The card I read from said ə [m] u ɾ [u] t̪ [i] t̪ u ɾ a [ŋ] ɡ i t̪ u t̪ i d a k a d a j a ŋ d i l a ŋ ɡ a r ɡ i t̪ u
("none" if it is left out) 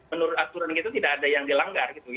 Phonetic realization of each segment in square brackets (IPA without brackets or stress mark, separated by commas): n, ʊ, a, n